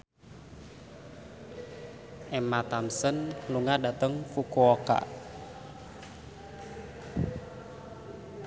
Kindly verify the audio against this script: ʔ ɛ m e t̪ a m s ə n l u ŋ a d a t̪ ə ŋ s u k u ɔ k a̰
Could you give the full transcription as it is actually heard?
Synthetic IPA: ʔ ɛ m a t̪ a m s ə n l u ŋ a d a t̪ ə ŋ f u k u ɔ k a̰